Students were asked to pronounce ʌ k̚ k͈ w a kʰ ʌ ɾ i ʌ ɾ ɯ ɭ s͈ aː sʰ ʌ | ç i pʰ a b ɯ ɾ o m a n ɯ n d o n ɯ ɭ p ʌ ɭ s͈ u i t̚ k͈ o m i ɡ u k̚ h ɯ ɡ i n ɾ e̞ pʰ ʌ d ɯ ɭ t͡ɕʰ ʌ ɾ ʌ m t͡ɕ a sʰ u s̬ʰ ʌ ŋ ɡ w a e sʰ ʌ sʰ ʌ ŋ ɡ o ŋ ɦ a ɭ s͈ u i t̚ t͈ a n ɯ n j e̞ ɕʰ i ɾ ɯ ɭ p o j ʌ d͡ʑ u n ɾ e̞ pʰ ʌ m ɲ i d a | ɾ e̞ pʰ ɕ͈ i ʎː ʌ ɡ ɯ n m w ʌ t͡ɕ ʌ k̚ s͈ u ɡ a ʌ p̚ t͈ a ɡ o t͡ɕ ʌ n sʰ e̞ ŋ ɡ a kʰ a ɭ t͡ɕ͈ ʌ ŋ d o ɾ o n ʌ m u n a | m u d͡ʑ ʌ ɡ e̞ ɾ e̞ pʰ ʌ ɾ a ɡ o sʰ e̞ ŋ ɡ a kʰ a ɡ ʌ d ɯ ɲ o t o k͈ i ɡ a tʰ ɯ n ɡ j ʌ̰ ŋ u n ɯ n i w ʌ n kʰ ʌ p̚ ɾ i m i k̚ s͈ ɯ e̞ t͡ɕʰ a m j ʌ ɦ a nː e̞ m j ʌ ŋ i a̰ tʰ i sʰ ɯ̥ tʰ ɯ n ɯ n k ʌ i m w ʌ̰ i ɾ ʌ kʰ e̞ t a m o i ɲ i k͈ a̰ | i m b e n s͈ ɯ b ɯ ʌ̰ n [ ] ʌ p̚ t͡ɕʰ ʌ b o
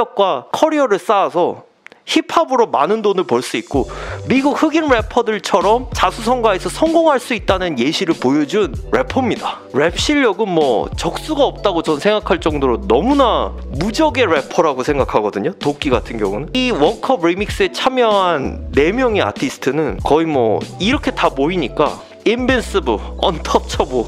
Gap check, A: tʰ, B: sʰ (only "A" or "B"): A